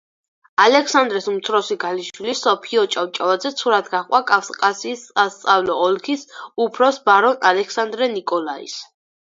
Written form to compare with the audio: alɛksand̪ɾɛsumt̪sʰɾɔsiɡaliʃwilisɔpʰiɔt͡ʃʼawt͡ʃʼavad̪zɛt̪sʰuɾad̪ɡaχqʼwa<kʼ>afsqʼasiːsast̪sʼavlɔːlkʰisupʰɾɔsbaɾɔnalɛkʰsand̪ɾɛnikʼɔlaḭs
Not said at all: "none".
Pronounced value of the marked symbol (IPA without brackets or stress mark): kʼ